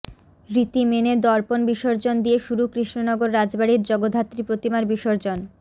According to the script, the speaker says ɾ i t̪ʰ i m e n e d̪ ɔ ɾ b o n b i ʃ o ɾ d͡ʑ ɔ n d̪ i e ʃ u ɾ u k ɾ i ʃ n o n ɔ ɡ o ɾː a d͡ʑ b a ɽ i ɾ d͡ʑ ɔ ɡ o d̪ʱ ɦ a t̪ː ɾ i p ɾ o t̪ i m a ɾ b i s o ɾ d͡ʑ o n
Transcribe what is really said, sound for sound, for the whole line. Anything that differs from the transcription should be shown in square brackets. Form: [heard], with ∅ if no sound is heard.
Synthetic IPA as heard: ɾ i [t̪] i m e n e d̪ ɔ ɾ [p] o n b i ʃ o ɾ d͡ʑ [o] n d̪ i e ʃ u ɾ u k ɾ i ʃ n o n ɔ ɡ o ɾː a d͡ʑ b a ɽ i ɾ d͡ʑ ɔ ɡ o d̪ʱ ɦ a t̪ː ɾ i p ɾ o t̪ i m a ɾ b i [ʃ] o ɾ d͡ʑ o n